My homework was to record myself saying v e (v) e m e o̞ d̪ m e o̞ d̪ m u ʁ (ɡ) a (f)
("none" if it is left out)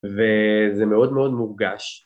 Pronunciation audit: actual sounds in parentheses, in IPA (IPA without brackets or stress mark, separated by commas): z, ɡ, ʃ